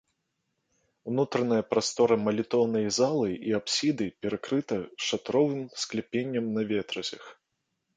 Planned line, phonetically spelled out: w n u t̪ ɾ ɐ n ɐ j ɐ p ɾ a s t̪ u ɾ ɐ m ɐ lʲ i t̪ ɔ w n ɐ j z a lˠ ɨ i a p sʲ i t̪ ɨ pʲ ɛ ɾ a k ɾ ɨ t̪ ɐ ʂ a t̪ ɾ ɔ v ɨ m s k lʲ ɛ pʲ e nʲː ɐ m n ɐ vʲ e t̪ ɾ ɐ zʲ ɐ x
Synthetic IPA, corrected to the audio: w n u t̪ ɾ ɐ n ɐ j ɐ p ɾ a s t̪ ɔ ɾ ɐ m ɐ lʲ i t̪ ɔ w n ɐ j z a lˠ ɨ i a p sʲ i d̪ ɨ pʲ ɛ ɾ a k ɾ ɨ t̪ ɐ ʂ a t̪ ɾ ɔ v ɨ m s k lʲ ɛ pʲ e nʲː ɐ m n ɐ vʲ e t̪ ɾ ɐ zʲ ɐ x